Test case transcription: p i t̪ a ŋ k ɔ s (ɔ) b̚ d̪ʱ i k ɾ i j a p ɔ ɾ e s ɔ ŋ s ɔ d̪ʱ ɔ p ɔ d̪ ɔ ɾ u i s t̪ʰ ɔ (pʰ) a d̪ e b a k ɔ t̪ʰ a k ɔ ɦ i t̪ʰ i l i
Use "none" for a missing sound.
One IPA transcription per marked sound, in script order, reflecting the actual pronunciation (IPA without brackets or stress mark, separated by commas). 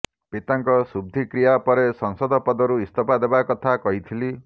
u, p